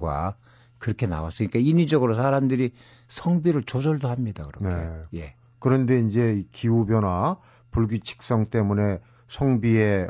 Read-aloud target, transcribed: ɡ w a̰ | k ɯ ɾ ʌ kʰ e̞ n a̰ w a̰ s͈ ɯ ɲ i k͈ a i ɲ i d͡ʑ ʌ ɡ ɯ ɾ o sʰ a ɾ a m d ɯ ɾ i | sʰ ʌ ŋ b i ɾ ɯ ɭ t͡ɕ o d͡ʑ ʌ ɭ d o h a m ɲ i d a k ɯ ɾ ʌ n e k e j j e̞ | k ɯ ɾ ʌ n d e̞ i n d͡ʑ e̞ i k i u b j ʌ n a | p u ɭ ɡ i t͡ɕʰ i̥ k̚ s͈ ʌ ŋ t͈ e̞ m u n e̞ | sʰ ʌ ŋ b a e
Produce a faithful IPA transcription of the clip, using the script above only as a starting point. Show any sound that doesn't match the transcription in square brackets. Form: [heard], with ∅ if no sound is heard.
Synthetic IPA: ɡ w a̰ | k ɯ ɾ ʌ kʰ e̞ n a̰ w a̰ s͈ ɯ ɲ i k͈ a i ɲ i d͡ʑ ʌ ɡ ɯ ɾ o sʰ a ɾ a m d ɯ ɾ i | sʰ ʌ ŋ b i ɾ ɯ ɭ t͡ɕ o d͡ʑ ʌ ɭ d o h a m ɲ i d a k ɯ ɾ ʌ n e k e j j e̞ | k ɯ ɾ ʌ n d e̞ i n d͡ʑ e̞ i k i u b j ʌ n a | p u ɭ ɡ i t͡ɕʰ i̥ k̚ s͈ ʌ ŋ t͈ e̞ m u n e̞ | sʰ ʌ ŋ b [i] e